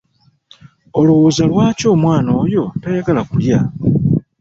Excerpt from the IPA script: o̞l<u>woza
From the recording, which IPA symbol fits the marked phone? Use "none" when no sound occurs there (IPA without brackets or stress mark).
u